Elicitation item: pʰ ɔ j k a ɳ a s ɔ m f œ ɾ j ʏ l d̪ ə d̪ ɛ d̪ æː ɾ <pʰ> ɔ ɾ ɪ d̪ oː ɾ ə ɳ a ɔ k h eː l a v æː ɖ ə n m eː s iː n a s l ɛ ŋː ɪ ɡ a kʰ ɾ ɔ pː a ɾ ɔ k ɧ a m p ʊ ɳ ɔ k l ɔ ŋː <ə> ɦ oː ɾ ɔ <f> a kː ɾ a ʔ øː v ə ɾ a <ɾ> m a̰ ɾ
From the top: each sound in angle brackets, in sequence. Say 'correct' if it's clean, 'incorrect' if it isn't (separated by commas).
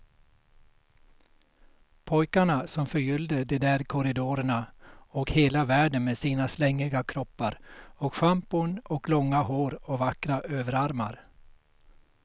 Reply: incorrect, incorrect, incorrect, correct